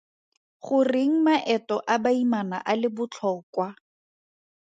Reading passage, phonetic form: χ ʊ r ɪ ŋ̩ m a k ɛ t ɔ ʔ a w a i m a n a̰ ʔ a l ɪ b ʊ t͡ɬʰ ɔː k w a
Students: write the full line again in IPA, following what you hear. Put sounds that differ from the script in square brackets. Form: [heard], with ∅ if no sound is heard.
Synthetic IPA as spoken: χ ʊ r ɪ ŋ̩ m a [ʔ] ɛ t ɔ ʔ a [b] a i m a n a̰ ʔ a l ɪ b ʊ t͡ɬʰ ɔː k w a